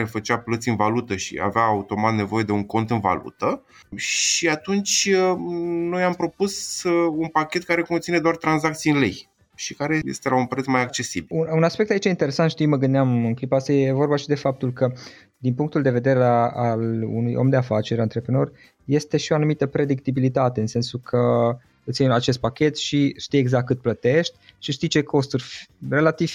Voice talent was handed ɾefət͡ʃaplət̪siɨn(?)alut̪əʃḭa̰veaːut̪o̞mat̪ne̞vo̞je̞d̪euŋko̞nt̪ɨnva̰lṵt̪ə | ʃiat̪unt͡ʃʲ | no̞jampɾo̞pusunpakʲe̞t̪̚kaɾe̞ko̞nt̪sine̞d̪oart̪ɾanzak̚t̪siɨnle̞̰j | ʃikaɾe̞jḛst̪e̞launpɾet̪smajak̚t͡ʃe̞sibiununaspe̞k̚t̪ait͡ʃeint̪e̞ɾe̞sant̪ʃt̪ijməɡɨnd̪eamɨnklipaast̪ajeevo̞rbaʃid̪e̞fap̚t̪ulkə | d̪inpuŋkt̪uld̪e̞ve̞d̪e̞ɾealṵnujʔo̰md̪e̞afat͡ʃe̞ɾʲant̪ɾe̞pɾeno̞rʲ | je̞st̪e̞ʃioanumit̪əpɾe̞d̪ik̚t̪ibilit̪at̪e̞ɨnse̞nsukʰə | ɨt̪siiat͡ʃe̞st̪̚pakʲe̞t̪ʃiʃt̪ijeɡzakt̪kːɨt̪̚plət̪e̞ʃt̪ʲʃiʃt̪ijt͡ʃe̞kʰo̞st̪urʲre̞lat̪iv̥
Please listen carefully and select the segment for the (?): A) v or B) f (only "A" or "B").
A